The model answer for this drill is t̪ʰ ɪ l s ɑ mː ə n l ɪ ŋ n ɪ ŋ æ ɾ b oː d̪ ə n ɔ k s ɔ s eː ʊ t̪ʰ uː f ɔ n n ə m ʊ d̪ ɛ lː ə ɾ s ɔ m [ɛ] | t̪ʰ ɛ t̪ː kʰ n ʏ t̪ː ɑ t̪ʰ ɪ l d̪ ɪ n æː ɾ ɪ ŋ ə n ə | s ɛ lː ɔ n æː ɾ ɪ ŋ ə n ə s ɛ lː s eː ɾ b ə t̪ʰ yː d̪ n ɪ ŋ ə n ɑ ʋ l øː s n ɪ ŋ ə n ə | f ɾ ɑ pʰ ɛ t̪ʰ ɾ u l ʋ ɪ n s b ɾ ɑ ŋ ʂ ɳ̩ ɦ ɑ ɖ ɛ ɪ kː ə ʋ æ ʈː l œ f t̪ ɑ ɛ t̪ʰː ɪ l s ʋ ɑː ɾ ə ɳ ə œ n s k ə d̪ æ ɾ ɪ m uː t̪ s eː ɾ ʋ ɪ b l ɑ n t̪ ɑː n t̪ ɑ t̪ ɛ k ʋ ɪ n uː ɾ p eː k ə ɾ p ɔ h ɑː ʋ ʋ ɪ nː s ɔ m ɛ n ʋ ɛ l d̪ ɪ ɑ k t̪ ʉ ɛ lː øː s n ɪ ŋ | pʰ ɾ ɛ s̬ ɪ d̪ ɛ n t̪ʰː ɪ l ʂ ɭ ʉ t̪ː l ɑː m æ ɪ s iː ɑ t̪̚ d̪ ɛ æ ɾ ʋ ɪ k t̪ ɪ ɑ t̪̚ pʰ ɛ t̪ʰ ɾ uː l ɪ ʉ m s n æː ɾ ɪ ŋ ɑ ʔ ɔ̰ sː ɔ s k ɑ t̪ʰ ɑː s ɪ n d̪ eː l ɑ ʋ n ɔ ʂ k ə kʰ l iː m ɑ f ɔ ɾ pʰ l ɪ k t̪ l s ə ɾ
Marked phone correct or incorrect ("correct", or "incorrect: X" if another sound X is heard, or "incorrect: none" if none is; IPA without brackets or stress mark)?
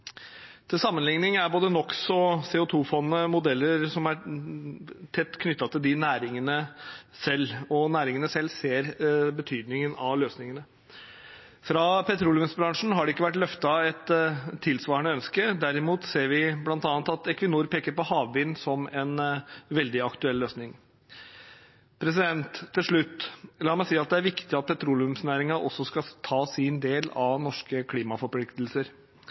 incorrect: æ